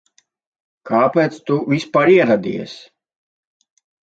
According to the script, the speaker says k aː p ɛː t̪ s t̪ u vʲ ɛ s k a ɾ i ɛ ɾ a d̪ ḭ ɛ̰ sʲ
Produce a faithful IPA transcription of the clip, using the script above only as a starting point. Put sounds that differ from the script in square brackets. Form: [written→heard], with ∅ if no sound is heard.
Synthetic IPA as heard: k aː p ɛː t̪ s t̪ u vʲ [ɛ→i] s [k→p] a ɾ i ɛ ɾ a d̪ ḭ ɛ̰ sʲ